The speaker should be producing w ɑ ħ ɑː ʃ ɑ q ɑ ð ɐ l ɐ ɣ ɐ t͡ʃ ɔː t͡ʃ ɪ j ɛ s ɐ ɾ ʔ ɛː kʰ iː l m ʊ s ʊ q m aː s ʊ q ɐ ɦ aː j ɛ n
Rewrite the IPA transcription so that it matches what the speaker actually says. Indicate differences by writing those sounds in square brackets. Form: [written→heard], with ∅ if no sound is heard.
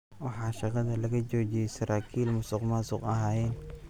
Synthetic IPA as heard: w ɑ ħ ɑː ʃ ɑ q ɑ ð ɐ l ɐ ɣ ɐ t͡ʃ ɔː t͡ʃ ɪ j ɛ s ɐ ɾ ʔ [ɛː→aː] kʰ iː l m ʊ s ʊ q m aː s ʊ q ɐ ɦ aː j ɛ n